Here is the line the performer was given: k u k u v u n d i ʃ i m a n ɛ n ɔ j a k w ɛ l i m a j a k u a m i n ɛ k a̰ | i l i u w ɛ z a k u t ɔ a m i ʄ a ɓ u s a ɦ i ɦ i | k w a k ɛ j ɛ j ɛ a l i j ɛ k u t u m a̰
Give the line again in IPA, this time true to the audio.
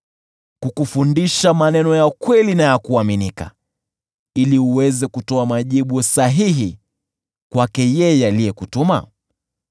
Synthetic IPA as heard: k u k u f u n d i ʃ a m a n ɛ n ɔ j a k w ɛ l i n a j a k u a m i n i k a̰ | i l i u w ɛ z ɛ k u t ɔ a m a ʄ i ɓ u s a ɦ i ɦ i | k w a k ɛ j ɛ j ɛ a l i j ɛ k u t u m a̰